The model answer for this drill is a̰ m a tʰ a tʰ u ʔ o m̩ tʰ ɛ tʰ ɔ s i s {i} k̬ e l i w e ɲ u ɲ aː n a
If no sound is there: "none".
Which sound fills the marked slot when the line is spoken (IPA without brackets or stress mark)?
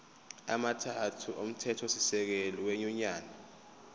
ɛ